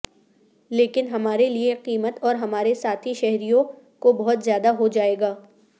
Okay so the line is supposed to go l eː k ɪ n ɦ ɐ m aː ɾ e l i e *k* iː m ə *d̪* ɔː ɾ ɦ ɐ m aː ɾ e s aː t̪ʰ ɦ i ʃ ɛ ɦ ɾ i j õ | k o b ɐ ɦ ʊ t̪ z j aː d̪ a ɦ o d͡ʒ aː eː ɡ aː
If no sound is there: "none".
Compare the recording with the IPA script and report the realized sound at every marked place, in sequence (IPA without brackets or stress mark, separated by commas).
q, t̪